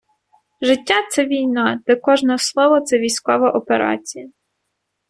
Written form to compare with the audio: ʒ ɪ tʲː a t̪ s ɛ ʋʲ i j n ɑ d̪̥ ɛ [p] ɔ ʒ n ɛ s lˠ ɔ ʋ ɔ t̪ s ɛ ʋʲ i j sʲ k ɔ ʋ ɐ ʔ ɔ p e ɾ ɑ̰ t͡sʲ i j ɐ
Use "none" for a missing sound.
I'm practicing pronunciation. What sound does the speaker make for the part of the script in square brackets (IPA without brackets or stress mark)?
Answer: k